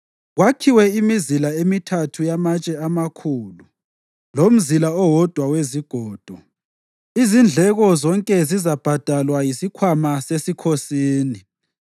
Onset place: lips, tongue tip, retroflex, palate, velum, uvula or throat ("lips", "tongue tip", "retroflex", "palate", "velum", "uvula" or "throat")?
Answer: velum